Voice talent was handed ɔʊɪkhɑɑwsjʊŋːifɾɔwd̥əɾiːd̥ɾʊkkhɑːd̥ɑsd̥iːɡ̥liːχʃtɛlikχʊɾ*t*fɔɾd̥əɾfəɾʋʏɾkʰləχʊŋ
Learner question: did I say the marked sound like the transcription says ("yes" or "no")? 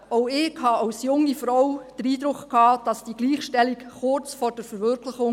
no